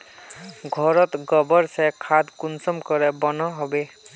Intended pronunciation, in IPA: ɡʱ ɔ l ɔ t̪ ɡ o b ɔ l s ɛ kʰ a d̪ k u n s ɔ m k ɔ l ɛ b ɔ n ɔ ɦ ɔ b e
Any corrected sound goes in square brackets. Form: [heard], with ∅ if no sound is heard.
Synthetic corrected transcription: ɡʱ ɔ [ɹ] ɔ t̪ ɡ [ɔ] b ɔ [ɹ] s ɛ kʰ a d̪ k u n s ɔ m k ɔ [ɹ] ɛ b ɔ n ɔ ɦ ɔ b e